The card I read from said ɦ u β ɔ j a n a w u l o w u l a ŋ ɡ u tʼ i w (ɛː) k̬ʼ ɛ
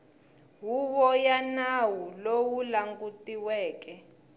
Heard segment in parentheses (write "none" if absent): ɛː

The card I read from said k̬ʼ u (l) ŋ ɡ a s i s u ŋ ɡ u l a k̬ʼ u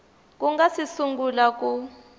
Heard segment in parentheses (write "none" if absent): none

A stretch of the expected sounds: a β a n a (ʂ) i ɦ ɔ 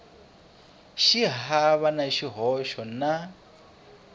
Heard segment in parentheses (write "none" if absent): ʃ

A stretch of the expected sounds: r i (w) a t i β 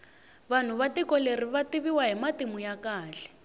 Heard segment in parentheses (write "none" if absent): β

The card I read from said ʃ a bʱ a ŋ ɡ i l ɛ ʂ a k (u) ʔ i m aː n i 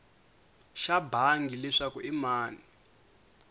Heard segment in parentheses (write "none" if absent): u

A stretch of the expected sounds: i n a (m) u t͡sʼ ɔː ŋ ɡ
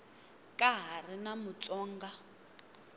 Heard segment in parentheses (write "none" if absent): m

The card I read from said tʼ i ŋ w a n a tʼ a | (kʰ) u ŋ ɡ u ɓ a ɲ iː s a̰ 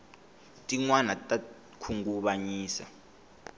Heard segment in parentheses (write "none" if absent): kʰ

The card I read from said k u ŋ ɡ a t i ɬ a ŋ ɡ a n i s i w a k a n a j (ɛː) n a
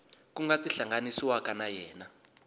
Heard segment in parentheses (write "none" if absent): ɛː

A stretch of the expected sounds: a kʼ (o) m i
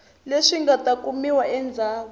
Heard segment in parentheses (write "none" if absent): u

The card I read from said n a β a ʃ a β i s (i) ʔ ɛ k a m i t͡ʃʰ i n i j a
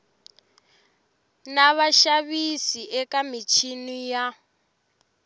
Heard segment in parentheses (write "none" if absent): i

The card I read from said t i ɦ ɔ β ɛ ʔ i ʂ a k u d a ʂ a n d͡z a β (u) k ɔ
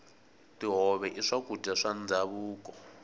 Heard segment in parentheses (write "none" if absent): uː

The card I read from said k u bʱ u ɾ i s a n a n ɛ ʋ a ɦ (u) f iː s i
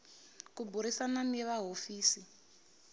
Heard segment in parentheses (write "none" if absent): o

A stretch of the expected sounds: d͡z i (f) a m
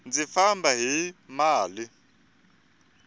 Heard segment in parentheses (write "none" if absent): f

